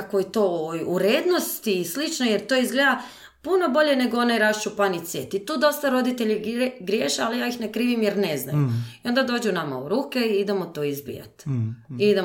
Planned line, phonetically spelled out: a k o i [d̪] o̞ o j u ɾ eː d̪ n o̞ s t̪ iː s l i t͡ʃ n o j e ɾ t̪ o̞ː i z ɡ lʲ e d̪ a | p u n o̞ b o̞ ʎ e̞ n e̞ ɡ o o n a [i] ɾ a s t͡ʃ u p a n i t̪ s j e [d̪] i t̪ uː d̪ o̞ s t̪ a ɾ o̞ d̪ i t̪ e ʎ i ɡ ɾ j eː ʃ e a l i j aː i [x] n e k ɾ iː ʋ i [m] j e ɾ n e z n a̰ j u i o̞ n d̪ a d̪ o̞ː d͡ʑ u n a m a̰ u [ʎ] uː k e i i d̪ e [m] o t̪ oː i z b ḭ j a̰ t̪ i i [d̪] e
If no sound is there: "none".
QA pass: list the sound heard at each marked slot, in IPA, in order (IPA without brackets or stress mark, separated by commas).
t̪, j, t̪, x, m, ɾ, m, d̪